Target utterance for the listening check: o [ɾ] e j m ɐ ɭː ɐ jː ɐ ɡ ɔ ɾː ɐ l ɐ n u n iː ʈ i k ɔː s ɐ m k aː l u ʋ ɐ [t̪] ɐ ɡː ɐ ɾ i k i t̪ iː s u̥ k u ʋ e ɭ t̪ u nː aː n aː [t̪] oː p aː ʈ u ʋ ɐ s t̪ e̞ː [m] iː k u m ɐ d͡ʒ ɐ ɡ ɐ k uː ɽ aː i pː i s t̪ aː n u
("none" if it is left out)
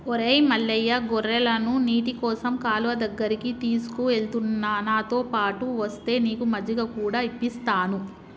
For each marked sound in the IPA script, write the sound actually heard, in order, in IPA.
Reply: ɾ, d̪, t̪, n

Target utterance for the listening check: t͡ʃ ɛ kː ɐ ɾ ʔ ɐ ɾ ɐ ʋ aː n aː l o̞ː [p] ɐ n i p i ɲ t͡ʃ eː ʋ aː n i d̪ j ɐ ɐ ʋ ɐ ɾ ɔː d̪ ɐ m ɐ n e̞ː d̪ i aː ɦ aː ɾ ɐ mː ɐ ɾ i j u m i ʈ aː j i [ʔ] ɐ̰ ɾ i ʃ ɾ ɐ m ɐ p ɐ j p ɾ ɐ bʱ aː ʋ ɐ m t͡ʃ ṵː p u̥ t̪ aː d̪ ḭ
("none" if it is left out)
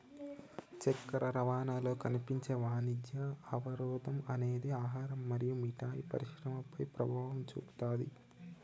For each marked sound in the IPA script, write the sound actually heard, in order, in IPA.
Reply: k, p

